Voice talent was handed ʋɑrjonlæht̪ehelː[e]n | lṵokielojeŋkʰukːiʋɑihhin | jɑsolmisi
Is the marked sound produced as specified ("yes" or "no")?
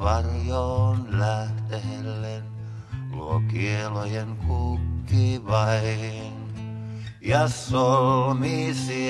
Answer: yes